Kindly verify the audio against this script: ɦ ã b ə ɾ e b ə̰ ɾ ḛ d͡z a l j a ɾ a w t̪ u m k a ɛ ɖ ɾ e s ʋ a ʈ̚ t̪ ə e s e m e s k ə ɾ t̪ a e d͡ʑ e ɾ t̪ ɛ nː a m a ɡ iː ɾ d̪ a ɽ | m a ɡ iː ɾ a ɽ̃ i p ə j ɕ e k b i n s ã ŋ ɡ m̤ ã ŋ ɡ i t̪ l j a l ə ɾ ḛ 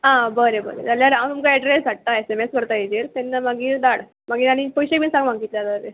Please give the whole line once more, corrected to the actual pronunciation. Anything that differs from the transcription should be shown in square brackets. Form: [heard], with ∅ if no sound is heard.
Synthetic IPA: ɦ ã b ə ɾ e b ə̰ ɾ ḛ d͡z a l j a ɾ a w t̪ u m k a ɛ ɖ ɾ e s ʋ a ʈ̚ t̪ [a] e s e m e s k ə ɾ t̪ a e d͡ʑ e ɾ t̪ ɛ nː a m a ɡ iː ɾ d̪ a ɽ | m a ɡ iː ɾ a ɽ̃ i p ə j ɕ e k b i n s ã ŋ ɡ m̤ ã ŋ ɡ i t̪ l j a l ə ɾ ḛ